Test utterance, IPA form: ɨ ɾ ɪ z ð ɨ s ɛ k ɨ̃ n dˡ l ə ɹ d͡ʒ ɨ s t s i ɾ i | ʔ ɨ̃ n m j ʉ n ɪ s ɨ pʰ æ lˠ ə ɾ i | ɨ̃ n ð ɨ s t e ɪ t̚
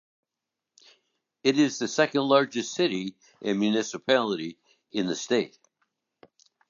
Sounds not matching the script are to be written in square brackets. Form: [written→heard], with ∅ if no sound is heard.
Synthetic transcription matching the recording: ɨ ɾ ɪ z ð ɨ s ɛ k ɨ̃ n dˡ l [ə→ɑ] ɹ d͡ʒ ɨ s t s [i→ɪ] ɾ i | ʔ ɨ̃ n m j ʉ n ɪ s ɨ pʰ æ lˠ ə ɾ i | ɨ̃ n ð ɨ s t e ɪ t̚